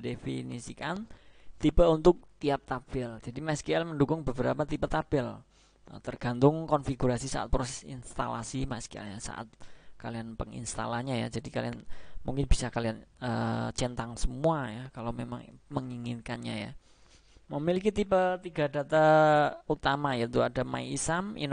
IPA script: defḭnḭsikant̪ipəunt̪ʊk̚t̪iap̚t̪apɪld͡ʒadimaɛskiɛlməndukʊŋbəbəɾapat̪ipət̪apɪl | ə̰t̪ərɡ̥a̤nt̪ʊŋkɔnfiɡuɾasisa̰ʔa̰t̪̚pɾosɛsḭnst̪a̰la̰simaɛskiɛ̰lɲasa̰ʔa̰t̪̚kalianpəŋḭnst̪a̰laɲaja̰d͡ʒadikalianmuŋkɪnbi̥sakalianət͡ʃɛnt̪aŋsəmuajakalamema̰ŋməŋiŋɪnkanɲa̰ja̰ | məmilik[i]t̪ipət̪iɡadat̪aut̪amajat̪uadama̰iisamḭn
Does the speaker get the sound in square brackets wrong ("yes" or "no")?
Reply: no